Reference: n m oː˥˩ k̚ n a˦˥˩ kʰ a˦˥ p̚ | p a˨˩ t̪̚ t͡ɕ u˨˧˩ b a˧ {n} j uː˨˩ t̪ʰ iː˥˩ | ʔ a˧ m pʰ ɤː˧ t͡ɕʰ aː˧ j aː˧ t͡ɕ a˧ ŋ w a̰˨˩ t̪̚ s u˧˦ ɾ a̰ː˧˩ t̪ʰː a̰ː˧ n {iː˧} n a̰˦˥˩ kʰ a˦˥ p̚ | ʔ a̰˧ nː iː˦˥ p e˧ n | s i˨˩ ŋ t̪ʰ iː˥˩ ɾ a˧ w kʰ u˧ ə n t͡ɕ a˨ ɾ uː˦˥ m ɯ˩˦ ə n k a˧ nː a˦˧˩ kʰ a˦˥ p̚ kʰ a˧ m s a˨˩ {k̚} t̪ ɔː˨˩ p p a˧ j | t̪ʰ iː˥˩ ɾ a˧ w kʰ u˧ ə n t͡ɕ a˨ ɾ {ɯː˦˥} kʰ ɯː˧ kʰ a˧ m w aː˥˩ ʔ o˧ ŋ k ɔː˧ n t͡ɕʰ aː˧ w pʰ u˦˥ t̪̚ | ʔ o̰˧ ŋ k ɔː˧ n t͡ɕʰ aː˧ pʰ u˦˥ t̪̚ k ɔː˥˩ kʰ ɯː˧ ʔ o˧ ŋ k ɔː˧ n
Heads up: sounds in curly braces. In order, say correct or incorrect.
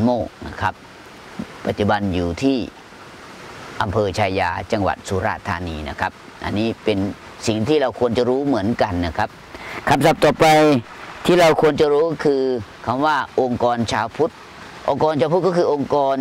correct, correct, incorrect, incorrect

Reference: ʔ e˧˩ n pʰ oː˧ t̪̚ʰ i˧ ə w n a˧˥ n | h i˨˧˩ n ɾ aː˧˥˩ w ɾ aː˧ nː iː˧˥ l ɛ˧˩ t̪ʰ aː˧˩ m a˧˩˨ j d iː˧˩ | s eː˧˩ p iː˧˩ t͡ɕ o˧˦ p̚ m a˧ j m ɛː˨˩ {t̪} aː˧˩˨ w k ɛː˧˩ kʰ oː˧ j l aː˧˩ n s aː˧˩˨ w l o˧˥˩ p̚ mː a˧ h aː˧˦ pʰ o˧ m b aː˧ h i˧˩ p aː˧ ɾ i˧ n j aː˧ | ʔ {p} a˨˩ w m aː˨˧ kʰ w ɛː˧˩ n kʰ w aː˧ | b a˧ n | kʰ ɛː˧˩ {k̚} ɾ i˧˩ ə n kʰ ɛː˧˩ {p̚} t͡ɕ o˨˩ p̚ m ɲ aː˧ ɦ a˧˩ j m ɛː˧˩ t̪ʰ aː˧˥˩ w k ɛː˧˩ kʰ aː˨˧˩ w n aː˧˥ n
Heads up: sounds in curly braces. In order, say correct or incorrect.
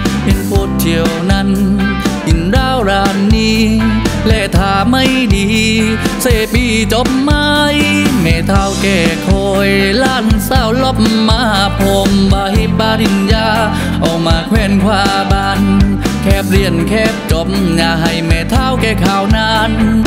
incorrect, incorrect, incorrect, correct

